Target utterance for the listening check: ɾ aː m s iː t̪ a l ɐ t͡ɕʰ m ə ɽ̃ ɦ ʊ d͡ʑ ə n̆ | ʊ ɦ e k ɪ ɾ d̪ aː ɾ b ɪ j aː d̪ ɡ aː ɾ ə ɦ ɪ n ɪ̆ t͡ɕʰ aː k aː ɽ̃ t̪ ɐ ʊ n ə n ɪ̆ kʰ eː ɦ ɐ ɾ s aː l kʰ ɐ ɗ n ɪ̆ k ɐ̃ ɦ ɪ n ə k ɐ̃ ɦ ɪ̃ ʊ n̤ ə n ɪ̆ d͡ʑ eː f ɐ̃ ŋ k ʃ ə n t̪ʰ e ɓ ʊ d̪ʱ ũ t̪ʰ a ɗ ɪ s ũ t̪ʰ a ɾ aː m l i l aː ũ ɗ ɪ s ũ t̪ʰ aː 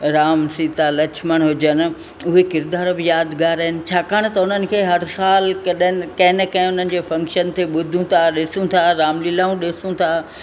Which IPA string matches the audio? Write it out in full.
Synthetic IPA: ɾ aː m s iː t̪ a l ɐ t͡ɕʰ m ə ɽ̃ ɦ ʊ d͡ʑ ə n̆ | ʊ ɦ e k ɪ ɾ d̪ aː ɾ b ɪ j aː d̪ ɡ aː ɾ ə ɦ ɪ n ɪ̆ t͡ɕʰ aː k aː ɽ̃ t̪ ɐ ʊ n ə n ɪ̆ kʰ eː ɦ ɐ ɾ s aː l k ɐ ɗ n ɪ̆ k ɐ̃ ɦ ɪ n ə k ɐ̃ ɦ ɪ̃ ʊ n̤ ə n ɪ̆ d͡ʑ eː f ɐ̃ ŋ k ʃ ə n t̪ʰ e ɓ ʊ d̪ʱ ũ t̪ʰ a ɗ ɪ s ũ t̪ʰ a ɾ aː m l i l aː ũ ɗ ɪ s ũ t̪ʰ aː